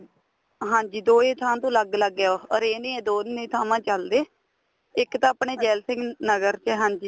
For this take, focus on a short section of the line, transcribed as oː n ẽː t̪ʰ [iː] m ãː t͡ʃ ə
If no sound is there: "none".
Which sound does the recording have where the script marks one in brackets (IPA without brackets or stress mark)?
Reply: aː